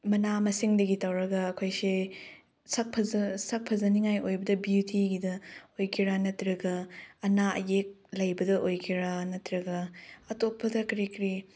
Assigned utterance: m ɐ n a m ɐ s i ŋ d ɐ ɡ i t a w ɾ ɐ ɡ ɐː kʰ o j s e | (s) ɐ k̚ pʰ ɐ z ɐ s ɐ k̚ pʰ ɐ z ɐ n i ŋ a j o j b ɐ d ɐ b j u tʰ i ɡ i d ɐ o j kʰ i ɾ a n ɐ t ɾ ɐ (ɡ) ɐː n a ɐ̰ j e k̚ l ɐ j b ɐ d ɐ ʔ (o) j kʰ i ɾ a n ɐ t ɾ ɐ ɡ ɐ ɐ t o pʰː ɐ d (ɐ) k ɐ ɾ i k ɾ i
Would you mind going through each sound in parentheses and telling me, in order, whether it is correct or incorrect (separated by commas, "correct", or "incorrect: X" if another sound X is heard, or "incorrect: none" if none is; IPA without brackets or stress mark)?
correct, correct, correct, correct